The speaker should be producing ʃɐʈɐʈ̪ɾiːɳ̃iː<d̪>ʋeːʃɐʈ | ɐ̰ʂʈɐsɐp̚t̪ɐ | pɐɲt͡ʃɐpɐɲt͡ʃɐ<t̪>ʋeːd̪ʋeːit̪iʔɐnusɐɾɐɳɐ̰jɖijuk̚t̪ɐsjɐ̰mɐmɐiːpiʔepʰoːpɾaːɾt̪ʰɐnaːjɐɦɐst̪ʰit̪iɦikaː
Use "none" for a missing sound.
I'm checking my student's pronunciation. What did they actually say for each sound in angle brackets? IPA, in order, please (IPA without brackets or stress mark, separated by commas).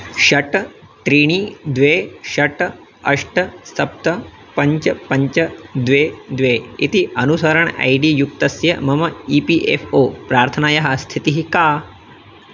d̪, d̪